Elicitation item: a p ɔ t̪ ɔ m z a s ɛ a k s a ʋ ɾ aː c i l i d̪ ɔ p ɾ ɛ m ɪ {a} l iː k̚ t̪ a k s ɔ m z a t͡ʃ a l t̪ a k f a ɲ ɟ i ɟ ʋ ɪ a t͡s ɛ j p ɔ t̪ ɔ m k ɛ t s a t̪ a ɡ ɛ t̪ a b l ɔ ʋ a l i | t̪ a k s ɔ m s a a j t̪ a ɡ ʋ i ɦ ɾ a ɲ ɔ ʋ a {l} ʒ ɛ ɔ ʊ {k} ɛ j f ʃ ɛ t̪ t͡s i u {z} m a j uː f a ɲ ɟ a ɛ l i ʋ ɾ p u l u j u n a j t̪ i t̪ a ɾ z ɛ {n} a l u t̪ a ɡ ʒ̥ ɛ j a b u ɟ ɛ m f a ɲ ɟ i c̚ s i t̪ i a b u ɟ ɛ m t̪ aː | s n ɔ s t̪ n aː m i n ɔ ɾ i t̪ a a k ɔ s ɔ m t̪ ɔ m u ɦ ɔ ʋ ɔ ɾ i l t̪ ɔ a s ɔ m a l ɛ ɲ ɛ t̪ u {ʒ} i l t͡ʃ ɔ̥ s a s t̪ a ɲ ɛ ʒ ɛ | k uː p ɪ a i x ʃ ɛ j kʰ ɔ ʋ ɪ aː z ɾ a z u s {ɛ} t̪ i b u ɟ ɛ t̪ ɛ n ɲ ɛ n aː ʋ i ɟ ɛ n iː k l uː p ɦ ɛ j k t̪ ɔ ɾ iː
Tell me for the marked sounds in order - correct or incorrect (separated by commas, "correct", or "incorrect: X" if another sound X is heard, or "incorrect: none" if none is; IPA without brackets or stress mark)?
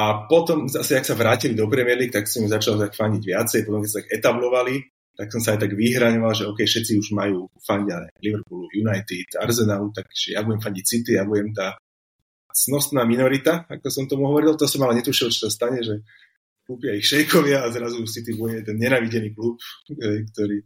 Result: incorrect: ɛ, correct, correct, incorrect: ʒ, correct, incorrect: ʃ, incorrect: i